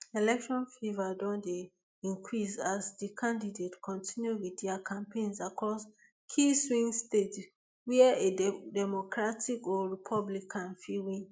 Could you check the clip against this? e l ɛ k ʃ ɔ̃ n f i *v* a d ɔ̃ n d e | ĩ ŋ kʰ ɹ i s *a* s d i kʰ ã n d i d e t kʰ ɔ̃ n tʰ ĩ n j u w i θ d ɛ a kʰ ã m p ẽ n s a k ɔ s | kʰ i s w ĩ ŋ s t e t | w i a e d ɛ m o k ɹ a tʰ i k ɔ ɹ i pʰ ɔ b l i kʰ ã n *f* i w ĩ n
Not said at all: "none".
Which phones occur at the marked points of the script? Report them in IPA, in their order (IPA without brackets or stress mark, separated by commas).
v, a, f